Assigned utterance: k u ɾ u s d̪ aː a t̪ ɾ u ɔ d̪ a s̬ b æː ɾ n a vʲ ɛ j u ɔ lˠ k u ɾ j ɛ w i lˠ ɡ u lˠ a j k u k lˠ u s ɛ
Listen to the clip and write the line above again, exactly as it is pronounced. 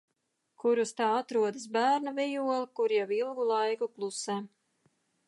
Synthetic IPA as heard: k u ɾ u s t̪ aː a t̪ ɾ u ɔ d̪ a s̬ b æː ɾ n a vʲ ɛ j u ɔ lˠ k u ɾ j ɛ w i lˠ ɡ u lˠ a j k u k lˠ u s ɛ